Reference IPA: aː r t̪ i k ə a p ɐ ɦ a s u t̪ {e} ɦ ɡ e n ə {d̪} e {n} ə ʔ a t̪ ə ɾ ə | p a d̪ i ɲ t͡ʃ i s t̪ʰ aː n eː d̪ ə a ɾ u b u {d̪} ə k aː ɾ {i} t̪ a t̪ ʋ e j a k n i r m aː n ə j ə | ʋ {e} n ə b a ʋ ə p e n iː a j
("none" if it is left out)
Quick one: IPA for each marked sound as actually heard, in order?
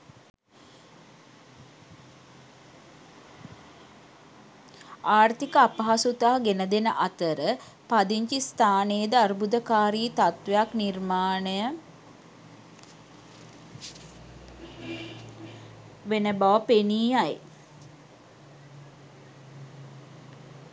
a, d̪, n, d̪, iː, e

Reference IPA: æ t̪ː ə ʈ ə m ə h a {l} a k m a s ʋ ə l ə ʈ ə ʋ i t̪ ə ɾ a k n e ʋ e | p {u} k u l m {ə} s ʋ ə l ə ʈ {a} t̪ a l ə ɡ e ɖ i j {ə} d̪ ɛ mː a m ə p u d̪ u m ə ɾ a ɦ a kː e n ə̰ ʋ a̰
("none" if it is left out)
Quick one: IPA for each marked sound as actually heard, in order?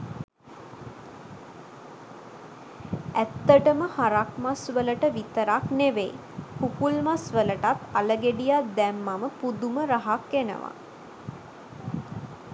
ɾ, u, a, a, a

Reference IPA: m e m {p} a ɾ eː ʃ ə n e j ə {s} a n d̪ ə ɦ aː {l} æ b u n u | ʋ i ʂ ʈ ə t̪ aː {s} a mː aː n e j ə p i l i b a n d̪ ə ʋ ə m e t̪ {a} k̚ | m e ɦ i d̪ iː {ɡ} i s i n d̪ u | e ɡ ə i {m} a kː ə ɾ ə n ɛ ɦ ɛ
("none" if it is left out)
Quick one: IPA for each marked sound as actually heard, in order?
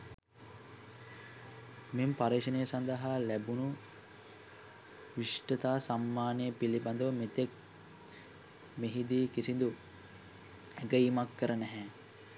p, s, l, s, e, k, m

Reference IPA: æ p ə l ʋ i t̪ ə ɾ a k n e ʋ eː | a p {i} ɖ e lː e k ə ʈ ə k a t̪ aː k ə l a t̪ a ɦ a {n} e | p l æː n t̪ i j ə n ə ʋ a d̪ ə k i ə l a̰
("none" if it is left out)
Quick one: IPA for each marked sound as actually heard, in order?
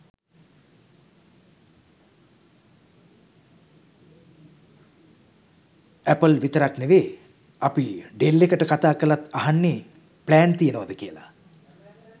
i, nː

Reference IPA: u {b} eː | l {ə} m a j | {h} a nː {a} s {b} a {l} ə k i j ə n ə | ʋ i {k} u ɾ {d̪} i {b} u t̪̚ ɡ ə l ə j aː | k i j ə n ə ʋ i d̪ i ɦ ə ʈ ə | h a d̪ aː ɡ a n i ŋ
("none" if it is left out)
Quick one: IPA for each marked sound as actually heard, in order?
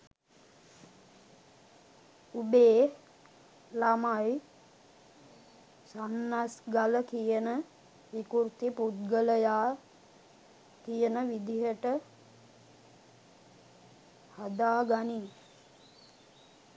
b, a, s, a, ɡ, l, k, t̪, p

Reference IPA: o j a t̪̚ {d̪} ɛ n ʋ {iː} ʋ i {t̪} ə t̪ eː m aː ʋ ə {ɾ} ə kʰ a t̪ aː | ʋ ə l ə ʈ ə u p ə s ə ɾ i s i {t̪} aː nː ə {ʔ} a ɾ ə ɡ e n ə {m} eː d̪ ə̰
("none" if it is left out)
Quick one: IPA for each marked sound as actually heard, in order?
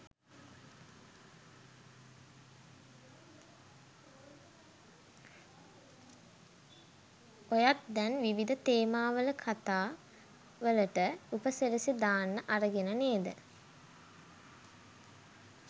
d̪, i, d̪, l, d̪, ʔ, n

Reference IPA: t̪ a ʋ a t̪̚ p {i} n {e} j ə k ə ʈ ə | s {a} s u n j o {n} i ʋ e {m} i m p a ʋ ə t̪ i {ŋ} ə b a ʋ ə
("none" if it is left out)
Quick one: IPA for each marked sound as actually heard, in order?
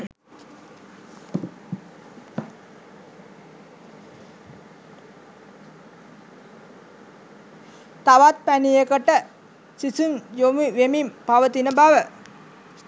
æ, i, i, m, m, n

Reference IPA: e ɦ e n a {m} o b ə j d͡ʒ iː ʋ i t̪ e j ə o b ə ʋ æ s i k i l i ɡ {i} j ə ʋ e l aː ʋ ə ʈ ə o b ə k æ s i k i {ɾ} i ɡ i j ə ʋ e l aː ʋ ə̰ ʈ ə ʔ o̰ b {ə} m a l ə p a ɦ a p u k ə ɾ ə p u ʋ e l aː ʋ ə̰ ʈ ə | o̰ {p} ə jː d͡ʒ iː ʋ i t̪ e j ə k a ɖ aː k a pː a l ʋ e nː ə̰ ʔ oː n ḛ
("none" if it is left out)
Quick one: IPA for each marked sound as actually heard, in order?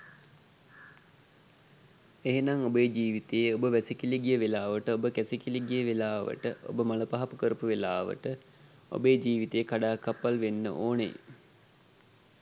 ŋ, i, l, ə, b

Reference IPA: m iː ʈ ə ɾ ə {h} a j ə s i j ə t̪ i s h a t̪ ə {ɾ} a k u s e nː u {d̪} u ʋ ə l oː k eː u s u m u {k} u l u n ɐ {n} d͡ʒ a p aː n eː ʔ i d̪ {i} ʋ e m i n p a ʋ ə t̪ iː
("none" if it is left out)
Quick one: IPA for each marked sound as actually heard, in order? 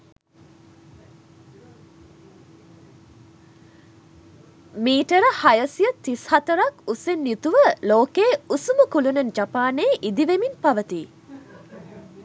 h, ɾ, t̪, k, n, i

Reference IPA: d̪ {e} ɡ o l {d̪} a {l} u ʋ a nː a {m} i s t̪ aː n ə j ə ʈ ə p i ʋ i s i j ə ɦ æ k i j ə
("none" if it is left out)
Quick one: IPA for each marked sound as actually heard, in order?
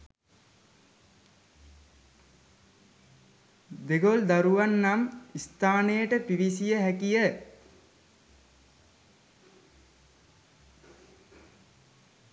e, d̪, ɾ, m

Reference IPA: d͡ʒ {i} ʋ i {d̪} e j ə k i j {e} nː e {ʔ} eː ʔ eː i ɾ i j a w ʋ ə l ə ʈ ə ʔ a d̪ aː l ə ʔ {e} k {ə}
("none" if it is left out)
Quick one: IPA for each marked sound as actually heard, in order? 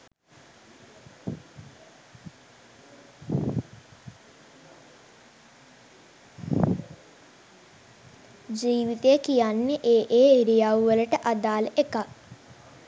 iː, t̪, a, ʔ, e, a

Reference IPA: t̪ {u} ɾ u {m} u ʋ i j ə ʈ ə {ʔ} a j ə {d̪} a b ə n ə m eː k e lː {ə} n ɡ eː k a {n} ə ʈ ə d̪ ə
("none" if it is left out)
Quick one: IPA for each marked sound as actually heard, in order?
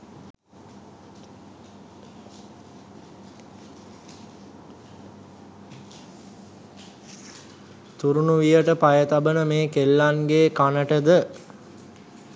u, n, p, t̪, a, n

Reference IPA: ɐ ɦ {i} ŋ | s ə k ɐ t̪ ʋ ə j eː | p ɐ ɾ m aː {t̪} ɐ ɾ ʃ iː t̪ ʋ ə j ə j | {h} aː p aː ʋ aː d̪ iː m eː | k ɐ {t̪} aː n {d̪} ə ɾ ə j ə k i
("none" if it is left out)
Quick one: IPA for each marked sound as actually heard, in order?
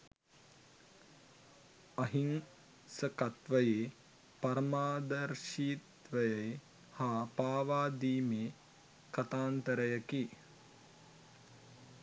i, d̪, h, t̪, t̪

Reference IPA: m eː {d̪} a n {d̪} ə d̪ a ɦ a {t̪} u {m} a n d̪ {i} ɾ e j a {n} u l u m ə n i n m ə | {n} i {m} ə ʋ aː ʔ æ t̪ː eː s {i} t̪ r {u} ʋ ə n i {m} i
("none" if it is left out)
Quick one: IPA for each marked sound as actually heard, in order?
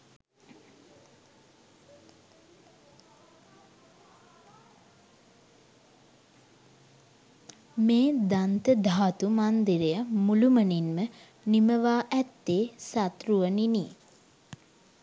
d̪, t̪, t̪, m, i, m, n, m, a, u, n

